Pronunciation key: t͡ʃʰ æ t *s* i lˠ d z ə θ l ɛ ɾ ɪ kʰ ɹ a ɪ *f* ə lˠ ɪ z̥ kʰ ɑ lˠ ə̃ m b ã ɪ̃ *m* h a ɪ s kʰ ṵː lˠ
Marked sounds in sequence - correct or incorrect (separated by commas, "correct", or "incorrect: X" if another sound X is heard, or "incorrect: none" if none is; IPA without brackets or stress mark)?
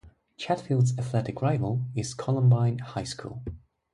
incorrect: f, incorrect: v, incorrect: n